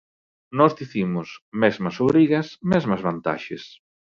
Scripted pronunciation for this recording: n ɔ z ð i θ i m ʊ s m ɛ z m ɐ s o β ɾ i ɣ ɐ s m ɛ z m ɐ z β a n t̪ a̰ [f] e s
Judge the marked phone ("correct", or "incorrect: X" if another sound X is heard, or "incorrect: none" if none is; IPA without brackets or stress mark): incorrect: ʃ